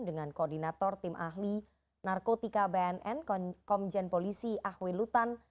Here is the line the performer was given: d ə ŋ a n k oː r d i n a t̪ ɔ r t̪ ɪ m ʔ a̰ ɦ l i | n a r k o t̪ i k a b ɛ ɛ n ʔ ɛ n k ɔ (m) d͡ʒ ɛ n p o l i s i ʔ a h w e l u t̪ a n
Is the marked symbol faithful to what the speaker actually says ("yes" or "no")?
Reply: yes